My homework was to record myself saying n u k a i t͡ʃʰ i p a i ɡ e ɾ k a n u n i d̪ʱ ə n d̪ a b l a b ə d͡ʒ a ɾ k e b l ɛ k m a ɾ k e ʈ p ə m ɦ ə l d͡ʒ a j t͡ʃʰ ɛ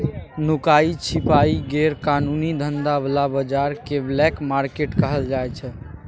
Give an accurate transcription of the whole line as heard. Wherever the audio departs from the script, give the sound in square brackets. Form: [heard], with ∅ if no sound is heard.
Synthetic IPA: n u k a i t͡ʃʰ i p a i ɡ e ɾ k a n u n i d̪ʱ ə n d̪ a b l a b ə d͡ʒ a ɾ k e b l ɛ k m a ɾ k e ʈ [k] ə [∅] ɦ ə l d͡ʒ a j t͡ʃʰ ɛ